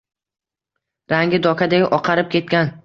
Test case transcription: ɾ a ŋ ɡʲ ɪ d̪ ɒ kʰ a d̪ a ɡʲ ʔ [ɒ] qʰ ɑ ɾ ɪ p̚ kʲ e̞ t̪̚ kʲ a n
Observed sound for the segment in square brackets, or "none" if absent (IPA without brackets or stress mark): ɒ